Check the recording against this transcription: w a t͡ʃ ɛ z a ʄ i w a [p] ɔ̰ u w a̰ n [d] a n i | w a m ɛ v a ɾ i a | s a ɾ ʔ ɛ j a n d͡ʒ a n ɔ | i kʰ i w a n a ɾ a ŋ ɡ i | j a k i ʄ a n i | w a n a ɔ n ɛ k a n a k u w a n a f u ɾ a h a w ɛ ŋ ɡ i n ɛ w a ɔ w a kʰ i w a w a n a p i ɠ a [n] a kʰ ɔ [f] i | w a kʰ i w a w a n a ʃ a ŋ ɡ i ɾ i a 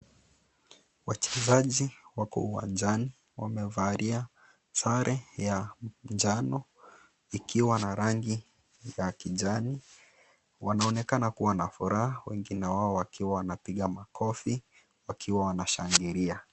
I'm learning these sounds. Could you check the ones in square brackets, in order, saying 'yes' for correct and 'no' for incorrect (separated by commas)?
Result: no, no, no, yes